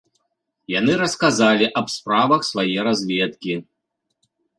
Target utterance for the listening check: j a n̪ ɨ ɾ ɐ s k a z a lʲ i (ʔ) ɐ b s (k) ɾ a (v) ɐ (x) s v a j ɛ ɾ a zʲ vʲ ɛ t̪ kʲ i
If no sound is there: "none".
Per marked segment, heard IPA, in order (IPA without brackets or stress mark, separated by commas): ʔ, p, v, x